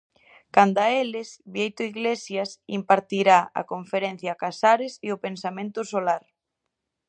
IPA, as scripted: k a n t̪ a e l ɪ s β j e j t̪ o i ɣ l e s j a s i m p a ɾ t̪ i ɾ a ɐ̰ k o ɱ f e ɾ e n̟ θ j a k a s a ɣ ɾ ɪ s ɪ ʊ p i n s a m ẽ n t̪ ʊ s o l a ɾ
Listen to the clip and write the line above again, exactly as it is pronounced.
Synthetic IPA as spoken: k a n d̪ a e l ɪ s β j e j t̪ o i ɣ l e s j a s i m p a ɾ t̪ i ɾ a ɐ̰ k o ɱ f e ɾ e n̟ θ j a k a s a ɾ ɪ s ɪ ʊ p e n s a m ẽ n t̪ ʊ s o l a ɾ